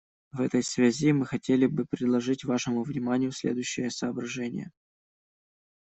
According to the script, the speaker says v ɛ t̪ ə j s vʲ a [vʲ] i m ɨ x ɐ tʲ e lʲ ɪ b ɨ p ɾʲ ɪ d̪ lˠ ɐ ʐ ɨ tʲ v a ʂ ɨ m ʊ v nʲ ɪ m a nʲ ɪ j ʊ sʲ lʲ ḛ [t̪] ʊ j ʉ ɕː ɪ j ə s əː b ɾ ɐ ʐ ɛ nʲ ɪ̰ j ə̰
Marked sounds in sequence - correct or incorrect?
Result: incorrect: zʲ, incorrect: d̪

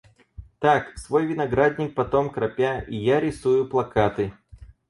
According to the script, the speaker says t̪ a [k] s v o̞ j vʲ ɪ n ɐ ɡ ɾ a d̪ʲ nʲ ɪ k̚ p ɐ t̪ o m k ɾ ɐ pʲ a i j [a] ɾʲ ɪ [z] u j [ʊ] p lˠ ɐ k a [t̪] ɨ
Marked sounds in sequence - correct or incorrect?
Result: correct, correct, incorrect: s, correct, correct

